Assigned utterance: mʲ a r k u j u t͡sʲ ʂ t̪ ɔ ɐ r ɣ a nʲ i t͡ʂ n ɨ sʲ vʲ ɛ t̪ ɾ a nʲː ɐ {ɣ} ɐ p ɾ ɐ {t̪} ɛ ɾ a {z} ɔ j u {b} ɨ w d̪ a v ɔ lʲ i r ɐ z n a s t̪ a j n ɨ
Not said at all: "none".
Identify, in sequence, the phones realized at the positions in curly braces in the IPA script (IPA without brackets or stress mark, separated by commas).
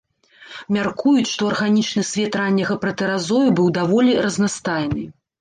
ɣ, t̪, z, b